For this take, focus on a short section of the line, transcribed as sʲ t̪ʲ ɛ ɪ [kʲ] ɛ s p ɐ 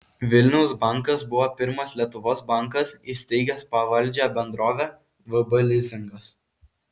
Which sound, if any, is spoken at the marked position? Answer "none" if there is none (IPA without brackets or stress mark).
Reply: ɡʲ